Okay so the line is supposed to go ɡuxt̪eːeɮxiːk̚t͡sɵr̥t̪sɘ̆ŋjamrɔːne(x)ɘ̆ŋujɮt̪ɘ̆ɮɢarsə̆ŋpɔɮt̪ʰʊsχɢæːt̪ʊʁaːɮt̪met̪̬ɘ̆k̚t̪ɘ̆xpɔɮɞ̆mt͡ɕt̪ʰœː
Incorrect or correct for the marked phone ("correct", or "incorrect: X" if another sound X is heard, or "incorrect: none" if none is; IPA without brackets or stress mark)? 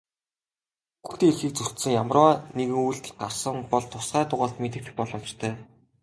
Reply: incorrect: ɣ